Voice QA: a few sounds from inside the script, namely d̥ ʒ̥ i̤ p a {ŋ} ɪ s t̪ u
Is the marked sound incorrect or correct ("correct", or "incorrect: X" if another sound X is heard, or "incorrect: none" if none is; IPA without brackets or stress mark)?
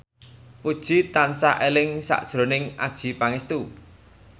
correct